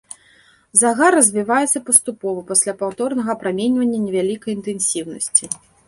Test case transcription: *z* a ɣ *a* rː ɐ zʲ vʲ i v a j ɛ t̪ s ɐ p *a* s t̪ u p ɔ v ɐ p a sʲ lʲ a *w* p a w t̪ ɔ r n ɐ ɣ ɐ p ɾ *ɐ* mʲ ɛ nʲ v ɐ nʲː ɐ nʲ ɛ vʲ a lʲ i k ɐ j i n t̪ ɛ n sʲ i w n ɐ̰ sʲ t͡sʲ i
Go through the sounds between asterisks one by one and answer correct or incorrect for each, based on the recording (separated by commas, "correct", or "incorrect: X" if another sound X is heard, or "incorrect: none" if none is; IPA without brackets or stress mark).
correct, correct, incorrect: ɐ, incorrect: none, incorrect: a